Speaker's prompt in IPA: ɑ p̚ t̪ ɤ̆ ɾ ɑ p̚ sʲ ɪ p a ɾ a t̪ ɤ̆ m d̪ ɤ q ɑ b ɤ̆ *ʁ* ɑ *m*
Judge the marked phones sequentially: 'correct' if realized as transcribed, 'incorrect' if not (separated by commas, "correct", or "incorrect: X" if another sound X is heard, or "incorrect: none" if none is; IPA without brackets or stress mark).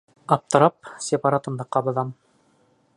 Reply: incorrect: ð, correct